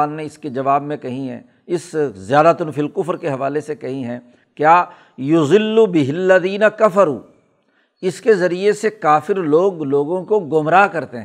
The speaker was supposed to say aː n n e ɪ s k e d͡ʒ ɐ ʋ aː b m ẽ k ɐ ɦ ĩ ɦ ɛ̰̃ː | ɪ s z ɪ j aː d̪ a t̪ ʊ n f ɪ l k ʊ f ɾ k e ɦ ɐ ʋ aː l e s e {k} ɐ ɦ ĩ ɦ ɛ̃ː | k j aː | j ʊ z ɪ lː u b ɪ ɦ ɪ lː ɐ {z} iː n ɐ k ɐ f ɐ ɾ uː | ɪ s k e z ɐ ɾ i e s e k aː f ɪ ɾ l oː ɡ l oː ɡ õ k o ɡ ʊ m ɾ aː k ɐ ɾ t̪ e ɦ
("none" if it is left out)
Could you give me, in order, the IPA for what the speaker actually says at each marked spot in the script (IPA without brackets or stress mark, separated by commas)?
k, ð